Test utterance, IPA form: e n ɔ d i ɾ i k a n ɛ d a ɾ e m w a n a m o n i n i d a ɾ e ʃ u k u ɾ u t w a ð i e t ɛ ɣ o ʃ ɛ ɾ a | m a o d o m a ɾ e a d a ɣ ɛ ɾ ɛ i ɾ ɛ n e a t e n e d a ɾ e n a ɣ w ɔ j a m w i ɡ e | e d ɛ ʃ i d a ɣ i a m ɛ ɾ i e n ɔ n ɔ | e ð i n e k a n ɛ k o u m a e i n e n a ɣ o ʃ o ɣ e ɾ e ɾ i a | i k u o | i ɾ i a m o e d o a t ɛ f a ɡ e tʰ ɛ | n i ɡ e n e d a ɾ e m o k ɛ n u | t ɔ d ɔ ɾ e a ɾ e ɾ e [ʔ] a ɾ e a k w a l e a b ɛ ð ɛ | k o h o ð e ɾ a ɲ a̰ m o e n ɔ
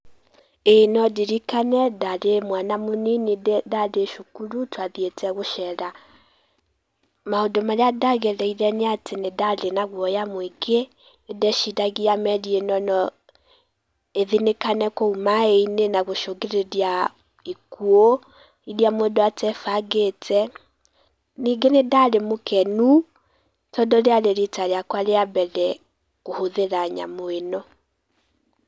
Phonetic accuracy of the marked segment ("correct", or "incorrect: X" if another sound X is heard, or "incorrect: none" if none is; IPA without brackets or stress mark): incorrect: t